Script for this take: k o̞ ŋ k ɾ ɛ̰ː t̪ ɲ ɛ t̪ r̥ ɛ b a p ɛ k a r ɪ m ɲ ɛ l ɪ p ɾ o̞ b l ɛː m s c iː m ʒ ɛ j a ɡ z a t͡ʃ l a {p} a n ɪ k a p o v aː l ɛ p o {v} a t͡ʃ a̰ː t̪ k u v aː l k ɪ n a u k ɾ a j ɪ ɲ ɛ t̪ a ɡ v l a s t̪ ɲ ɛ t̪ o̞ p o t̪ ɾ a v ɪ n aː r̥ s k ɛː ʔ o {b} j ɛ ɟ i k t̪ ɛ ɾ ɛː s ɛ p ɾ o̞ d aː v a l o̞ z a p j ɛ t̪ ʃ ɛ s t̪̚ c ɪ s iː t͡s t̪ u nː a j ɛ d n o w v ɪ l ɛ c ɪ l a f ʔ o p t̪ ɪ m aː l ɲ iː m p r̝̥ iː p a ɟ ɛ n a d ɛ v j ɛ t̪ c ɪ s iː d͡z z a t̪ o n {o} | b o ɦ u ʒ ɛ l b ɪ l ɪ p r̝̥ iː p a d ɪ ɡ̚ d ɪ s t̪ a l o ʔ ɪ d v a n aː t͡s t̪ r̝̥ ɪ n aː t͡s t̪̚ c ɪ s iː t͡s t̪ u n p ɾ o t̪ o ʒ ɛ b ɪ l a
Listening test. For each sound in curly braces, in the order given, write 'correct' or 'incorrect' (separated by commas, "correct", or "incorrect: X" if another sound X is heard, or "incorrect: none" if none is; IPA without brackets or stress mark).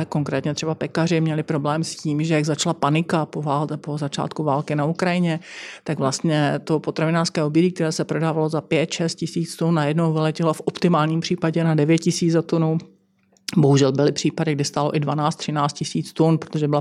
correct, incorrect: z, correct, incorrect: u